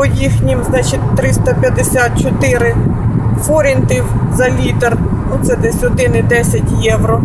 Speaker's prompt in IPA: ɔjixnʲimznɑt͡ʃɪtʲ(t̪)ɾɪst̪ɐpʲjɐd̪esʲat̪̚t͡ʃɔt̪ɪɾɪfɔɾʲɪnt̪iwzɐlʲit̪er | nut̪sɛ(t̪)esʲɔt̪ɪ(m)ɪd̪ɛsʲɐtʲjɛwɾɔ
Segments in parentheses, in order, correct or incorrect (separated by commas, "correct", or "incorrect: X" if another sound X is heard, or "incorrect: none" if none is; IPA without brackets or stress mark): correct, incorrect: d̪, incorrect: n